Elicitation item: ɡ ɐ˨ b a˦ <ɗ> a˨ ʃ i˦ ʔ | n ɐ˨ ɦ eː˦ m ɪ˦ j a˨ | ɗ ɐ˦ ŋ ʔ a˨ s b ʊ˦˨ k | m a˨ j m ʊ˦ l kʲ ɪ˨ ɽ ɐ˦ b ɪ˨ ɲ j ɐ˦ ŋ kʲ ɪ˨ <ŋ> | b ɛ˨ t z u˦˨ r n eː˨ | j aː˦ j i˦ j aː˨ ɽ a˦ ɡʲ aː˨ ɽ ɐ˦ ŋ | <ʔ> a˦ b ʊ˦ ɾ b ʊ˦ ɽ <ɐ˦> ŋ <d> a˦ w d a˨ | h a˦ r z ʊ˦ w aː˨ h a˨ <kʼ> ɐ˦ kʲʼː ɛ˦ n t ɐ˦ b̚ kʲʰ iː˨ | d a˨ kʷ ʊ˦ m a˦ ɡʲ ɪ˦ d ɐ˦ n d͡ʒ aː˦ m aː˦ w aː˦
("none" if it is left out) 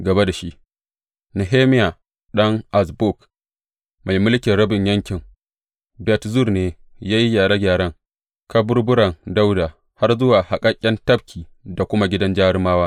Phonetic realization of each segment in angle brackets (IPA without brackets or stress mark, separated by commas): d, ŋ, k, ɐ˨, d, kʼ